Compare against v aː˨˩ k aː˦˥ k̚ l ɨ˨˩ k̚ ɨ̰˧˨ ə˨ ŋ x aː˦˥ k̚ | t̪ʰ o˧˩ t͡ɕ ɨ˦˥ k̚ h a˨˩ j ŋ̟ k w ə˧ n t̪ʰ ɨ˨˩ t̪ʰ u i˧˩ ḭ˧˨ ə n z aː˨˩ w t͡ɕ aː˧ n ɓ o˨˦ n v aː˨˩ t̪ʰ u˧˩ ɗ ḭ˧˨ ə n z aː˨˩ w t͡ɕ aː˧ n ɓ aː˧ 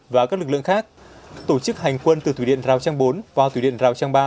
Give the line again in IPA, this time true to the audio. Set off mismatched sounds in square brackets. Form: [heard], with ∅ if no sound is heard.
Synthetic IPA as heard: v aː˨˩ k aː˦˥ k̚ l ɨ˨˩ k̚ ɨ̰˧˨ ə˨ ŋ x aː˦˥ k̚ | [t̪] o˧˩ t͡ɕ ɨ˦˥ k̚ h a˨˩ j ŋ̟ k w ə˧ n [t̪] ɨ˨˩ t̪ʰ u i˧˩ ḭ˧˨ ə n z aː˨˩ w t͡ɕ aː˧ [ŋ] ɓ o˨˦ n v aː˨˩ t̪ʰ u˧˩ ɗ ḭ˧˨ ə n z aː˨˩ w t͡ɕ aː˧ [ŋ] ɓ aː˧

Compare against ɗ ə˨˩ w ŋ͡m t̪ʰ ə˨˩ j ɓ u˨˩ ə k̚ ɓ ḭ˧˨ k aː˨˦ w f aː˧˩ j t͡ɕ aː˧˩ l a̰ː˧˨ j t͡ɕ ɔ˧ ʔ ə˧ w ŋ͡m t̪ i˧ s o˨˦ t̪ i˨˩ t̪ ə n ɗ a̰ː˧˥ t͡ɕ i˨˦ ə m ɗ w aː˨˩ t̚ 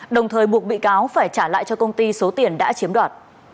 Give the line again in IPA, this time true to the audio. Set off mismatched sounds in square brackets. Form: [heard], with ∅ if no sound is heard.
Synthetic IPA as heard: ɗ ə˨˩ w ŋ͡m t̪ʰ [əː˨˩] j ɓ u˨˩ ə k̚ ɓ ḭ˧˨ k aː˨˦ w f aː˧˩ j t͡ɕ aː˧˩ l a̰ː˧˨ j t͡ɕ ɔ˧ [k] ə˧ w ŋ͡m t̪ i˧ s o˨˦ t̪ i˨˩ [∅] ə n ɗ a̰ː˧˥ t͡ɕ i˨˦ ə m ɗ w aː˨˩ t̚

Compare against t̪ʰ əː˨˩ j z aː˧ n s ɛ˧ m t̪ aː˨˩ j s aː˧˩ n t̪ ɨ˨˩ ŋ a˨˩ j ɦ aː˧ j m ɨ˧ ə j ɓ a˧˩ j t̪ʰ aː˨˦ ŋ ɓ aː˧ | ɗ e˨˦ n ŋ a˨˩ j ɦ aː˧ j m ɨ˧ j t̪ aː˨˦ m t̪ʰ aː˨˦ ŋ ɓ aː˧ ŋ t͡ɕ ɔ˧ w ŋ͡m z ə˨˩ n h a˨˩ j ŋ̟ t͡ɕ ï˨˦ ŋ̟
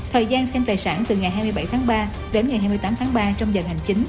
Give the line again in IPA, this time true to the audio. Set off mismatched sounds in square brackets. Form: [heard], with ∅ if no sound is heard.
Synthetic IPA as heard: t̪ʰ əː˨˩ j z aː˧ n s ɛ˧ m t̪ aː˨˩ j s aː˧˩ n t̪ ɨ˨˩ ŋ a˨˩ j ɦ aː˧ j m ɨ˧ ə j ɓ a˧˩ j t̪ʰ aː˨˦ ŋ ɓ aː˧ | ɗ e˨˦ n ŋ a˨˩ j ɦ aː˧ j m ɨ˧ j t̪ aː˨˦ m t̪ʰ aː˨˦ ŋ ɓ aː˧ [∅] t͡ɕ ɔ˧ w ŋ͡m z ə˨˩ n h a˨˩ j ŋ̟ t͡ɕ ï˨˦ ŋ̟

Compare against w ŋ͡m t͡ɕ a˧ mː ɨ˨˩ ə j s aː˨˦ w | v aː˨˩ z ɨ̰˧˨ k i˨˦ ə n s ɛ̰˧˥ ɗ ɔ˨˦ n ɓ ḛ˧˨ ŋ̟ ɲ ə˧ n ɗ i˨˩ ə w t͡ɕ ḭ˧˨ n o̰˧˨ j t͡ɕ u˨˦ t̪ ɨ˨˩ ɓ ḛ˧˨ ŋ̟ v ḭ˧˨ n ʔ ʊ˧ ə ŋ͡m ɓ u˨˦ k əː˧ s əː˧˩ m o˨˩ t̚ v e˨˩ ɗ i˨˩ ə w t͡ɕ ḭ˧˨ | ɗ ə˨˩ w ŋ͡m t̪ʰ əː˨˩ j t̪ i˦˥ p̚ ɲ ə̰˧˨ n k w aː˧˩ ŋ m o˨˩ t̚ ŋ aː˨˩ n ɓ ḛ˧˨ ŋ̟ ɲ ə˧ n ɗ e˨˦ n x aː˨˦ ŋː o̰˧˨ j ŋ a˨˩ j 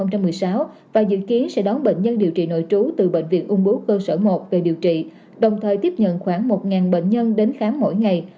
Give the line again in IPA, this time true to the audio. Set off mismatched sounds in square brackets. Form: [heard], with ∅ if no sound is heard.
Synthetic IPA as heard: w ŋ͡m t͡ɕ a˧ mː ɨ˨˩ ə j s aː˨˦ w | v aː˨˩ z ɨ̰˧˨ k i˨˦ ə n s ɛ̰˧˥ ɗ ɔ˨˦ n ɓ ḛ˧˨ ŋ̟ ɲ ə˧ n ɗ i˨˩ ə w t͡ɕ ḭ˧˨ n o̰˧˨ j t͡ɕ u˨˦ t̪ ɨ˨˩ ɓ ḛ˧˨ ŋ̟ v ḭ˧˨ n ʔ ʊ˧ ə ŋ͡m ɓ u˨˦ k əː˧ s əː˧˩ m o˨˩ t̚ v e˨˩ ɗ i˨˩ ə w t͡ɕ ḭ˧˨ | ɗ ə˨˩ w ŋ͡m t̪ʰ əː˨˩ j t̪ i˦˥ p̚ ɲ ə̰˧˨ n [x] w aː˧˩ ŋ m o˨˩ t̚ ŋ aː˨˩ n ɓ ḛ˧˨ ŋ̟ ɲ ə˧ n ɗ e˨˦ n x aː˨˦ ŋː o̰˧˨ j ŋ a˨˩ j

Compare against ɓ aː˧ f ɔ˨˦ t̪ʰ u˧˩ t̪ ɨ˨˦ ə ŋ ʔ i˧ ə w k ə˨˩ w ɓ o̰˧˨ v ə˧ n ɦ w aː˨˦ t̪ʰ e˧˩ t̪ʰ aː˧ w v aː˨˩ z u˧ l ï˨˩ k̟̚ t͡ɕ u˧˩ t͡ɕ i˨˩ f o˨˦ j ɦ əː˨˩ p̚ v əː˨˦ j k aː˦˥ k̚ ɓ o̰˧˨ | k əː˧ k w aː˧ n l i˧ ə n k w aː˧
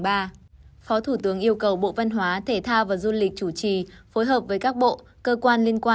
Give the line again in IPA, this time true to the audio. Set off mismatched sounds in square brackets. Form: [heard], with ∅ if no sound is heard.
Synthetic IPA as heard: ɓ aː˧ f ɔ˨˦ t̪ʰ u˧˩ t̪ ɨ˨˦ ə ŋ ʔ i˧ ə w k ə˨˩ w ɓ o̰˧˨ v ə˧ n ɦ w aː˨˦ t̪ʰ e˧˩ t̪ʰ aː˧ w v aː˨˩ z u˧ l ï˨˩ k̟̚ t͡ɕ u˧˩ t͡ɕ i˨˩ f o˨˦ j ɦ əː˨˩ p̚ v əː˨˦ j k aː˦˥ k̚ ɓ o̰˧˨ | k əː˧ k w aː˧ n l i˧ ə n k w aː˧

